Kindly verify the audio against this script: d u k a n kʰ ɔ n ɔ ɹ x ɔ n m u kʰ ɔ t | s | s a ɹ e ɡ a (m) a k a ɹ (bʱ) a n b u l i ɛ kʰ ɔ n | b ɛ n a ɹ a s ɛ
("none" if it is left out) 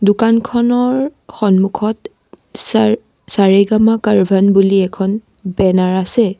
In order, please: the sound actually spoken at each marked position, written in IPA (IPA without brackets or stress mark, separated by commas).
m, bʱ